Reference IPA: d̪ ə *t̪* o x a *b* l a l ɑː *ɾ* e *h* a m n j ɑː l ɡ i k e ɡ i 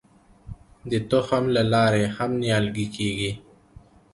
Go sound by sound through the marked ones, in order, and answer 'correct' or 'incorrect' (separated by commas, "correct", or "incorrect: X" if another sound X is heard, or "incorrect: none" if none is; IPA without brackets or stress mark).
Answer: correct, incorrect: m, correct, correct